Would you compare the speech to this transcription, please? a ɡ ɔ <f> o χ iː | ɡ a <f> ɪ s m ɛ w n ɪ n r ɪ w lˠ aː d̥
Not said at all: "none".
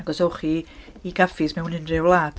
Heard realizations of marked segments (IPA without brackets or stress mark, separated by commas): s, f